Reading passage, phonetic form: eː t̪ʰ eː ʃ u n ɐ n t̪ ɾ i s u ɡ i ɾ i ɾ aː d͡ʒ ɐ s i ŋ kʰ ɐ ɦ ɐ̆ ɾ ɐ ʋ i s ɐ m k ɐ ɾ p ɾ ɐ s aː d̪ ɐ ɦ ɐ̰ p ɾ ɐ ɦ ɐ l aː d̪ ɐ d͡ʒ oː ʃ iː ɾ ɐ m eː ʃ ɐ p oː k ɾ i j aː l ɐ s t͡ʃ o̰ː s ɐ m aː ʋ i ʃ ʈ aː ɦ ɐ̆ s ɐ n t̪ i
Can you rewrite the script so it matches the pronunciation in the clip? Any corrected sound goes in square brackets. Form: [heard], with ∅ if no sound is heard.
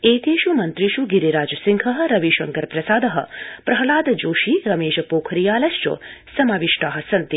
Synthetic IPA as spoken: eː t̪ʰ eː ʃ u [m] ɐ n t̪ ɾ i [ʃ] u ɡ i ɾ i ɾ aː d͡ʒ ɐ s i ŋ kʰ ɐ ɦ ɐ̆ ɾ ɐ ʋ i [ʃ] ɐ [ŋ] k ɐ ɾ p ɾ ɐ s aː d̪ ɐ ɦ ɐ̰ p ɾ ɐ ɦ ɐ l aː d̪ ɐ d͡ʒ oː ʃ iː ɾ ɐ m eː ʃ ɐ p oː [kʰ] ɾ i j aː l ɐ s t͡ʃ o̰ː s ɐ m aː ʋ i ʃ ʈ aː ɦ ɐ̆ s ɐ n t̪ i

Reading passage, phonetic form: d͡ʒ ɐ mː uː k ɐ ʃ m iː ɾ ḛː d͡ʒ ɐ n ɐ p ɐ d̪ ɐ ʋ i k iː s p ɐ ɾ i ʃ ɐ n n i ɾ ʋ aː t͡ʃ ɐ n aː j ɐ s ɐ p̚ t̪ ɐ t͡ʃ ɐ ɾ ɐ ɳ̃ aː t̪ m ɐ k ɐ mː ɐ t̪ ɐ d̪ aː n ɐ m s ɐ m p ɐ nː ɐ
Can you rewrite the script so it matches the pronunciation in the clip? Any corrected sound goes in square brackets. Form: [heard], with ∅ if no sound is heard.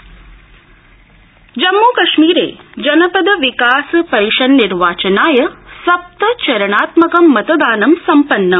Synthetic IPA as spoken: d͡ʒ ɐ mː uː k ɐ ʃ m iː ɾ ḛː d͡ʒ ɐ n ɐ p ɐ d̪ ɐ ʋ i k [aː] s p ɐ ɾ i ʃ ɐ n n i ɾ ʋ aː t͡ʃ ɐ n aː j ɐ s ɐ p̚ t̪ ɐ t͡ʃ ɐ ɾ ɐ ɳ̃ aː t̪ m ɐ k ɐ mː ɐ t̪ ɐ d̪ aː n ɐ m s ɐ m p ɐ nː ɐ

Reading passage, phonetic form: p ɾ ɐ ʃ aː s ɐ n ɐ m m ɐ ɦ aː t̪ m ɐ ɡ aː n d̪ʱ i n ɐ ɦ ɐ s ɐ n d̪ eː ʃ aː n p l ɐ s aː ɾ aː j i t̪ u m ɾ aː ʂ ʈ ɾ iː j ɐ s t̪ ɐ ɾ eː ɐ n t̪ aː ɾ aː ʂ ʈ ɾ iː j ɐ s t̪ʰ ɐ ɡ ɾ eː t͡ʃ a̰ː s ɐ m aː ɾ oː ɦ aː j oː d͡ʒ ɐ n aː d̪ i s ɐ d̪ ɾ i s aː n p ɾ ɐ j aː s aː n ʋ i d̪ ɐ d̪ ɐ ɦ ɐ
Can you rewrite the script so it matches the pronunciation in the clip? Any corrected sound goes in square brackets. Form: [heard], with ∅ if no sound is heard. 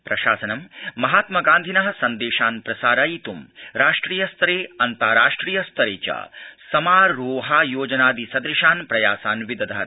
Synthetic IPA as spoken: p ɾ ɐ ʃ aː s ɐ n ɐ m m ɐ ɦ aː t̪ m ɐ ɡ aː n d̪ʱ i n ɐ ɦ ɐ s ɐ n d̪ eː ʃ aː n p [ɾ] ɐ s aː ɾ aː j i t̪ u m ɾ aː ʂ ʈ ɾ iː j ɐ s t̪ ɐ ɾ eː ɐ n t̪ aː ɾ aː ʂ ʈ ɾ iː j ɐ s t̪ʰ ɐ [∅] ɾ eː t͡ʃ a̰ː s ɐ m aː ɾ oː ɦ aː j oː d͡ʒ ɐ n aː d̪ i s ɐ d̪ ɾ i [ʃ] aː n p ɾ ɐ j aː s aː n ʋ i d̪ ɐ d̪ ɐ ɦ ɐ

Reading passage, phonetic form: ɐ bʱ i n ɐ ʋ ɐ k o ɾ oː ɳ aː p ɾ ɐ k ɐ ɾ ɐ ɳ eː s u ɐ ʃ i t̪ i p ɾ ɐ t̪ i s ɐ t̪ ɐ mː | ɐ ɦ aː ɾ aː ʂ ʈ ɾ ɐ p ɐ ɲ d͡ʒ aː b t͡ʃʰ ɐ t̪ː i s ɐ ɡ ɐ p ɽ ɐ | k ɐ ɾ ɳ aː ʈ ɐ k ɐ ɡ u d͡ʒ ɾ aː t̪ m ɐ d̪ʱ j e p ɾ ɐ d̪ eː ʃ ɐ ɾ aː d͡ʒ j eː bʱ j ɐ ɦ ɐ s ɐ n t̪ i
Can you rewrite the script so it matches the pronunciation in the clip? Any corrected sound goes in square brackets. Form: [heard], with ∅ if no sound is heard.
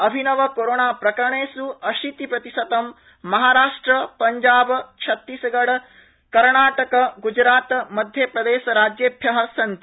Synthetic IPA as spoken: ɐ bʱ i n ɐ ʋ ɐ k o ɾ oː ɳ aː p ɾ ɐ k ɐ ɾ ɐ ɳ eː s u ɐ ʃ i t̪ i p ɾ ɐ t̪ i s ɐ t̪ ɐ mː | ɐ ɦ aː ɾ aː ʂ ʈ ɾ ɐ p ɐ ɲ d͡ʒ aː b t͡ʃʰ ɐ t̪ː i s ɐ ɡ ɐ [∅] ɽ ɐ | k ɐ ɾ ɳ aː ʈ ɐ k ɐ ɡ u d͡ʒ ɾ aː t̪ m ɐ d̪ʱ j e p ɾ ɐ d̪ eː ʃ ɐ ɾ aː d͡ʒ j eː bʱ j ɐ ɦ ɐ s ɐ n t̪ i

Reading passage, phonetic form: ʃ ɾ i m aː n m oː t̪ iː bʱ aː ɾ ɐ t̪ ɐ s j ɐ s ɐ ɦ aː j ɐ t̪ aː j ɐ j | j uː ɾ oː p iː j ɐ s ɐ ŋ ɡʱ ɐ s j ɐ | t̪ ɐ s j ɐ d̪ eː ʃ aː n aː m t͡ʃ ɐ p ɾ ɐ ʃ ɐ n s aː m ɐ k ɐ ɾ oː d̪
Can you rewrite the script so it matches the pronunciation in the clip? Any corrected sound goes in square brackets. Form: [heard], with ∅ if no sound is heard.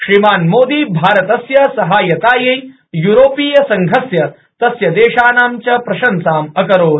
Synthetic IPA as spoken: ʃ ɾ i m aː n m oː [d̪] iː bʱ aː ɾ ɐ t̪ ɐ s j ɐ s ɐ ɦ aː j ɐ t̪ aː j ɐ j | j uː ɾ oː p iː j ɐ s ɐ ŋ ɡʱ ɐ s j ɐ | t̪ ɐ s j ɐ d̪ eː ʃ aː n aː m t͡ʃ ɐ p ɾ ɐ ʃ ɐ n s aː m ɐ k ɐ ɾ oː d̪

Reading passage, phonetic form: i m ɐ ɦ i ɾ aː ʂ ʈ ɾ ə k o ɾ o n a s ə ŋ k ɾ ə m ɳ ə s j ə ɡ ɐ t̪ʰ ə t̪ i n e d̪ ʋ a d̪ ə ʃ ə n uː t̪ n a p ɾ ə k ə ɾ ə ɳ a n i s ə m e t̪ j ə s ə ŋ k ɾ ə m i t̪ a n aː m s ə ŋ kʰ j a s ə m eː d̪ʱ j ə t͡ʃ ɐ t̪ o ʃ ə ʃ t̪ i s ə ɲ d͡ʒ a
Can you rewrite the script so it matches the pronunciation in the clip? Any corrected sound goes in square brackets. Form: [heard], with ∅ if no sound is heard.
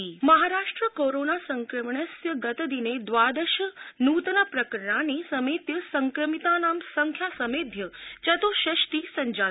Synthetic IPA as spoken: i m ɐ ɦ [a] ɾ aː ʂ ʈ ɾ ə k o ɾ o n a s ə ŋ k ɾ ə m ɳ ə s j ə ɡ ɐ [t̪] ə [d̪] i n e d̪ ʋ a d̪ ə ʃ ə n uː t̪ n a p ɾ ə k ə ɾ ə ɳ a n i s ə m e t̪ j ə s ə ŋ k ɾ ə m i t̪ a n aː m s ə ŋ kʰ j a s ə m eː d̪ʱ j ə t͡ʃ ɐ t̪ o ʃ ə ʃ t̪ i s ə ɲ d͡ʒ a

